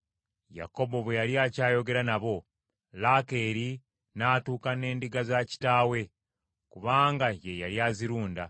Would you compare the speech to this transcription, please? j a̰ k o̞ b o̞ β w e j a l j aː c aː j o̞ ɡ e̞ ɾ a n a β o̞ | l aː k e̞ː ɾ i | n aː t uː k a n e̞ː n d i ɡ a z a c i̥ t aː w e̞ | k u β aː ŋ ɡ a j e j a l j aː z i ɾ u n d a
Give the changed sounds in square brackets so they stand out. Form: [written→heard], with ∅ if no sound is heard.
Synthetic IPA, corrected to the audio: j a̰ k o̞ b o̞ β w e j a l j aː c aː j o̞ ɡ e̞ ɾ a n a β o̞ | l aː k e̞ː ɾ i | n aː t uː k a n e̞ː n d i ɡ a z a c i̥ t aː w e̞ | k u β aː ŋ ɡ a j e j a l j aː z i ɾ [u→uː] n d a

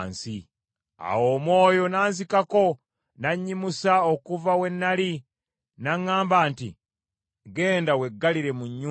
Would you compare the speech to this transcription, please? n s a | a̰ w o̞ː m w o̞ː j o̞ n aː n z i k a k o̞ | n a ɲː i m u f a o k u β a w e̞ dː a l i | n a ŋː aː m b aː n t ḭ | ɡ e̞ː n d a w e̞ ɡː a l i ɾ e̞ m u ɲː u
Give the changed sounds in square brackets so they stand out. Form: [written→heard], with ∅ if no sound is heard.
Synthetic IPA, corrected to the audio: n s [a→i] | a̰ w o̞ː m w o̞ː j o̞ n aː n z i k a k o̞ | n a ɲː i m u [f→s] a o k u [β→v] a w e̞ [dː→nː] a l i | n a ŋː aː m b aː n t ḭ | ɡ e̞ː n d a w e̞ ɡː a l i ɾ e̞ m u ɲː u

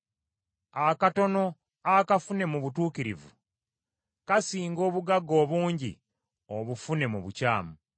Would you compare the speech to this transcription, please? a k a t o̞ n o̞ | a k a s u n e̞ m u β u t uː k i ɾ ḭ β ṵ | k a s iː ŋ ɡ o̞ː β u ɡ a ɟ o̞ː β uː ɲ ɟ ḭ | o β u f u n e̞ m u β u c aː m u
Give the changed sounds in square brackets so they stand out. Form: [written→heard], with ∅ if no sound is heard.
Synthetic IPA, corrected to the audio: a k a t o̞ n o̞ | a k a [s→f] u n e̞ m u β u t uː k i ɾ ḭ [β→v] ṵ | k a s iː ŋ ɡ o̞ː β u ɡ a [ɟ→ɡ] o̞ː β uː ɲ ɟ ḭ | o β u f u n e̞ m u β u c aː m u

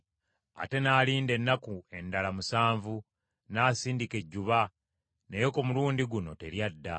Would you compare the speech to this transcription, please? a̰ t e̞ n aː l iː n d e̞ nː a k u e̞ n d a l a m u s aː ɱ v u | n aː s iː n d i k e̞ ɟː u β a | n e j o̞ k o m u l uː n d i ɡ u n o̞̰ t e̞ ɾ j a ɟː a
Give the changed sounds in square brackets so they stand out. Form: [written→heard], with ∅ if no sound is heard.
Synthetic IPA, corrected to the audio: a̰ t e̞ n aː l iː n d e̞ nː a k u e̞ n d a l a m u s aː ɱ v u | n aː s iː n d i k e̞ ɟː u β a | n e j o̞ k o m u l uː n d i ɡ u n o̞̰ t e̞ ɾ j a [ɟː→dː] a

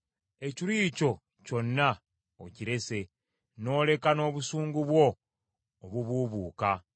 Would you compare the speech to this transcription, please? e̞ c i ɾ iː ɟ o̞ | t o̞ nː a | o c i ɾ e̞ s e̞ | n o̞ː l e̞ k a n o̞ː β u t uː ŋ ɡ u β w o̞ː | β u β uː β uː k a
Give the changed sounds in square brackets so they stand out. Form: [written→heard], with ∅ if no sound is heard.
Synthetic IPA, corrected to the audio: e̞ c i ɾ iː [ɟ→c] o̞ | [t→c] o̞ nː a | o c i ɾ e̞ s e̞ | n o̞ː l e̞ k a n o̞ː β u [t→s] uː ŋ ɡ u β w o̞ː | β u β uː β uː k a

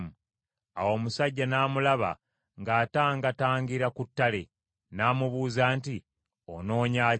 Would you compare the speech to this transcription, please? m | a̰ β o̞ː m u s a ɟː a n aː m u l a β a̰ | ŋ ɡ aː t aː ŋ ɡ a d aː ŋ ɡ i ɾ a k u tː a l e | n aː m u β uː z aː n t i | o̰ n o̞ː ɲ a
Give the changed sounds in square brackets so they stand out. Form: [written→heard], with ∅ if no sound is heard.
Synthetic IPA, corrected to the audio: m | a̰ [β→w] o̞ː m u s a ɟː a n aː m u l a β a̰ | ŋ ɡ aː t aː ŋ ɡ a [d→t] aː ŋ ɡ i ɾ a k u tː a l e | n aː m u β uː z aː n t i | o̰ n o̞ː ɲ a

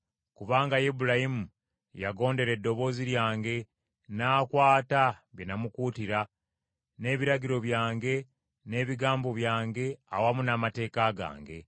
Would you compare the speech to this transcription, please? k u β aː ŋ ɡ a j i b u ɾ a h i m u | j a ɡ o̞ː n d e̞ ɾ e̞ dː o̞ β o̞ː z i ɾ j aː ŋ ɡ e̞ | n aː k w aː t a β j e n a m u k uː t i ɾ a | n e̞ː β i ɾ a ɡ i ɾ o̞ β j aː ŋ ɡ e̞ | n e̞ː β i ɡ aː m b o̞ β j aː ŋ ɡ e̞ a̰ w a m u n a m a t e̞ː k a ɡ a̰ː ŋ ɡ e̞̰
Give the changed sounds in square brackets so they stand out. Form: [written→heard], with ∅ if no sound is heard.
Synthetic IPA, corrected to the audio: k u β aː ŋ ɡ a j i b u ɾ a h i m u | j a ɡ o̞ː n d e̞ ɾ e̞ dː o̞ β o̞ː z i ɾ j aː ŋ ɡ e̞ | n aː k w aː t a β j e n a m u k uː t i ɾ a | n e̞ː β i ɾ a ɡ i ɾ o̞ β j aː ŋ ɡ e̞ | n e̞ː β i ɡ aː m b o̞ β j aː ŋ ɡ e̞ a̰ w a m u n a m a t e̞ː k a ɡ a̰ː ŋ ɡ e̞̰

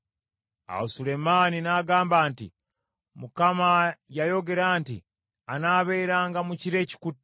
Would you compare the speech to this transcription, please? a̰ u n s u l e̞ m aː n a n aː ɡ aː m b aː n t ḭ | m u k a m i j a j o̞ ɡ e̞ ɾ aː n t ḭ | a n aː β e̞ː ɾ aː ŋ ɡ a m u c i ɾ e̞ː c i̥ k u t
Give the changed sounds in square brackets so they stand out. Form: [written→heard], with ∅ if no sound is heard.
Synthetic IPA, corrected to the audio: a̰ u [n→∅] s u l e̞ m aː n [a→i] n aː ɡ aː m b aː n t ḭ | m u k a m [i→a] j a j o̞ ɡ e̞ ɾ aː n t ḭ | a n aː β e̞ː ɾ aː ŋ ɡ a m u c i ɾ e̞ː c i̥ k u t

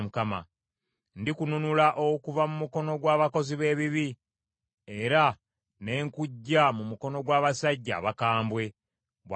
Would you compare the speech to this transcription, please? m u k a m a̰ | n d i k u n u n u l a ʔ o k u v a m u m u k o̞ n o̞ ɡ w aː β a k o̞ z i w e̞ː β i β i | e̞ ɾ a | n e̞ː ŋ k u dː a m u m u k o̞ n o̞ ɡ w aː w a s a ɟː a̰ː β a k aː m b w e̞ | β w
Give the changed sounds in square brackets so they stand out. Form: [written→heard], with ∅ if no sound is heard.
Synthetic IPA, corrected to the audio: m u k a m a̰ | n d i k u n u n u l a ʔ o k u v a m u m u k o̞ n o̞ ɡ w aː β a k o̞ z i [w→β] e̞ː β i β i | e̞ ɾ a | n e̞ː ŋ k u [dː→ɟː] a m u m u k o̞ n o̞ ɡ w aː [w→β] a s a ɟː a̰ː β a k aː m b w e̞ | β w

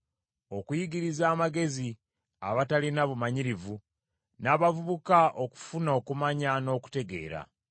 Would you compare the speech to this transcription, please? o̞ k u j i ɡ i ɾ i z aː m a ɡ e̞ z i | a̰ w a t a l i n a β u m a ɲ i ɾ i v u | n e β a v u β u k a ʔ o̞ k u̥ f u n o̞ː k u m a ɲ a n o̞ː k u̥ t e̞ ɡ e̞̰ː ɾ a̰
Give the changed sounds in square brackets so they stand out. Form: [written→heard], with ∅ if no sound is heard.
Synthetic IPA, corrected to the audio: o̞ k u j i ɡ i ɾ i z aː m a ɡ e̞ z i | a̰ [w→β] a t a l i n a β u m a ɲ i ɾ i v u | n [e→a] β a v u β u k a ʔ o̞ k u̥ f u n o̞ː k u m a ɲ a n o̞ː k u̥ t e̞ ɡ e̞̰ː ɾ a̰

